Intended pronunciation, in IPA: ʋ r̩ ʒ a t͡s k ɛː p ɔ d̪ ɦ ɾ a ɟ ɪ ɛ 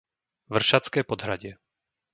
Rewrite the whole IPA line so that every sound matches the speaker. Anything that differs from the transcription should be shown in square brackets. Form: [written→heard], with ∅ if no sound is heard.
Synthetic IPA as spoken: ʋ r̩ [ʒ→ʃ] a t͡s k ɛː p ɔ d̪ ɦ ɾ a ɟ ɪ ɛ